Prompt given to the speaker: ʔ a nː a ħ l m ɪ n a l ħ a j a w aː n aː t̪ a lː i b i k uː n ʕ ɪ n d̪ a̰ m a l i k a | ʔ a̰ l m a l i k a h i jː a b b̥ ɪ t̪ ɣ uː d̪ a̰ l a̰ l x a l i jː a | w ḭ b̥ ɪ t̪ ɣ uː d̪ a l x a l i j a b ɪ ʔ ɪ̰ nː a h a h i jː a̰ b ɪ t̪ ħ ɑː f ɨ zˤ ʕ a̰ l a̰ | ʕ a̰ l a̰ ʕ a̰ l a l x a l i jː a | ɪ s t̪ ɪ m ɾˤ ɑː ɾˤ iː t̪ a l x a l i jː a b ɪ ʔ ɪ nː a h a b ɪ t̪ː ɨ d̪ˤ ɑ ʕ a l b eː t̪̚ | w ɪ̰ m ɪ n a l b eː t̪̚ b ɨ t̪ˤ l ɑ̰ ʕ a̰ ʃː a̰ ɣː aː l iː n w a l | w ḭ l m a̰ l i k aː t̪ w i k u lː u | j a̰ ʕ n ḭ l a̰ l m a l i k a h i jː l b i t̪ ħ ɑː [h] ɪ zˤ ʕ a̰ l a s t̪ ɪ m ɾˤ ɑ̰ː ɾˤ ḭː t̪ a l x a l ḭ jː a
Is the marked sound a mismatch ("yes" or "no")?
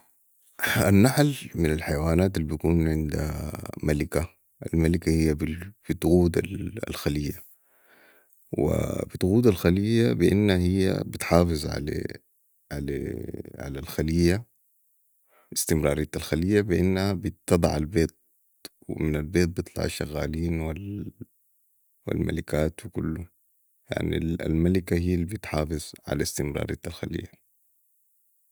yes